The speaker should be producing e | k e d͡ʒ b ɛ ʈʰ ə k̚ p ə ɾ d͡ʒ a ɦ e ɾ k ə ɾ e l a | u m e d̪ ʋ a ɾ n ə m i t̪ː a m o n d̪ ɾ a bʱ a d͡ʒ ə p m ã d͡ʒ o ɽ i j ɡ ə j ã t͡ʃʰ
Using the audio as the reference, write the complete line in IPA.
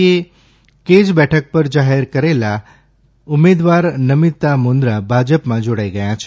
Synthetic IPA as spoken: e | k e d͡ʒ b ɛ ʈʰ ə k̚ p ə ɾ d͡ʒ a ɦ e ɾ k ə ɾ e l a | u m e d̪ ʋ a ɾ n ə m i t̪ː a m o n d̪ ɾ a bʱ a d͡ʒ ə p m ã d͡ʒ o ɽ a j ɡ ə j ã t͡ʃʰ